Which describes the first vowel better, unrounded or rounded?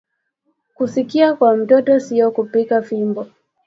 rounded